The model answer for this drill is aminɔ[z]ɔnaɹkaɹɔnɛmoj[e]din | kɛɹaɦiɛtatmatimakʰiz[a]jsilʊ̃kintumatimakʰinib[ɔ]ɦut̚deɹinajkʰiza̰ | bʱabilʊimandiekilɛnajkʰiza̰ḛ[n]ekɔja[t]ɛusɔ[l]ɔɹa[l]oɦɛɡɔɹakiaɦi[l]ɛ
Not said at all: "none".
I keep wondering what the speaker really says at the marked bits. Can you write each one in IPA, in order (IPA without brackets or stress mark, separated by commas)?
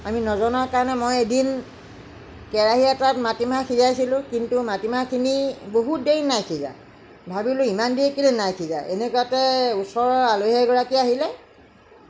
z, e, a, o, n, t, ɹ, l, l